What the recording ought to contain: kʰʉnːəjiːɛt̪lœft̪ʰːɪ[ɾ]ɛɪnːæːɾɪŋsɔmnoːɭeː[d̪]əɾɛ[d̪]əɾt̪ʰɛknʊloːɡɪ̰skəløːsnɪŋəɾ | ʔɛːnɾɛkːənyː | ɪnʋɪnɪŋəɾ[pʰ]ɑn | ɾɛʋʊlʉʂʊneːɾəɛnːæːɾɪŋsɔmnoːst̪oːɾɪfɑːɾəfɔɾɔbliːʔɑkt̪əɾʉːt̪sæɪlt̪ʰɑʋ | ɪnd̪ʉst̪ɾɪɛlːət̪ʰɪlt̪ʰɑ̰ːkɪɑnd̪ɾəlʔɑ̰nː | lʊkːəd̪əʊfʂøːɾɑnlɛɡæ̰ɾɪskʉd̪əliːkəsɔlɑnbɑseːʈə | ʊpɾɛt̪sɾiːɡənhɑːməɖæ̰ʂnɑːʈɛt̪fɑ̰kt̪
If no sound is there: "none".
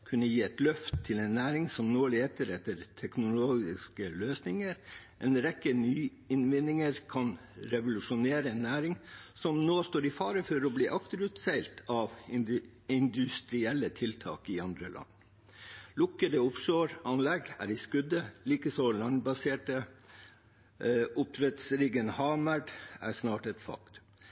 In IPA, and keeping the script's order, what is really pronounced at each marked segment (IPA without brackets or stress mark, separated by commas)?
l, t̪, t̪, kʰ